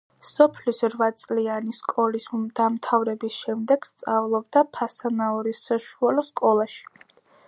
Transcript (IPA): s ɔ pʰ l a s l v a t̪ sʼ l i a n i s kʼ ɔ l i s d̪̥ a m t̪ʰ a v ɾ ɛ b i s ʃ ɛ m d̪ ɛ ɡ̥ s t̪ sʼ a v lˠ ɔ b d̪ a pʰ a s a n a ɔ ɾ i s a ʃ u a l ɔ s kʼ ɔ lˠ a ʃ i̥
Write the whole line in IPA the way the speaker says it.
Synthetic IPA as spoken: s ɔ pʰ l i s ɾ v a t̪ sʼ l i a n i s kʼ ɔ l i s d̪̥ a m t̪ʰ a v ɾ ɛ b i s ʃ ɛ m d̪ ɛ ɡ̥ s t̪ sʼ a v lˠ ɔ b d̪ a pʰ a s a n a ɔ ɾ i s a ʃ u a l ɔ s kʼ ɔ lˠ a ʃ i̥